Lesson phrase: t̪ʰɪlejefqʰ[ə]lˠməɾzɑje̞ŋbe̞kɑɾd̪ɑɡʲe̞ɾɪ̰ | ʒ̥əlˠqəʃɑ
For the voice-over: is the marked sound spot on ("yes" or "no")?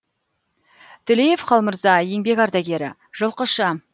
no